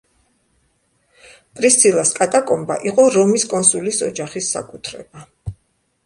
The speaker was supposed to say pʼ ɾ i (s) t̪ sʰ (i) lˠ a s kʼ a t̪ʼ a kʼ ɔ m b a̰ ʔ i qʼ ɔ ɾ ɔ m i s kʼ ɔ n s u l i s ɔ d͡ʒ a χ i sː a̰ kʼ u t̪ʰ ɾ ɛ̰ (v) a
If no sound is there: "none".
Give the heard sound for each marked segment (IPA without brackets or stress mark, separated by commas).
s, i, b